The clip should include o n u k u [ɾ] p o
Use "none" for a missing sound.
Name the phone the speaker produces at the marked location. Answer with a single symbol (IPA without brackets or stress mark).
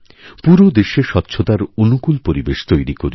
l